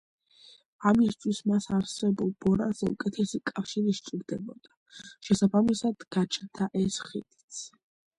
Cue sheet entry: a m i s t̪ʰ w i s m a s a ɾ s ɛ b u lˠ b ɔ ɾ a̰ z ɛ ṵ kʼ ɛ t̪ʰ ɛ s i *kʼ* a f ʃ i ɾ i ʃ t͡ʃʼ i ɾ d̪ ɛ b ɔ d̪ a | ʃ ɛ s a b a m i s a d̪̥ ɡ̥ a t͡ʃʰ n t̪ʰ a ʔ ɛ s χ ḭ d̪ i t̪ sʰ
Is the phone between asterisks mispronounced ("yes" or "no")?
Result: no